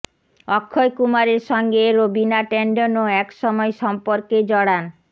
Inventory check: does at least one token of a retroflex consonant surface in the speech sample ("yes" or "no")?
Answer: yes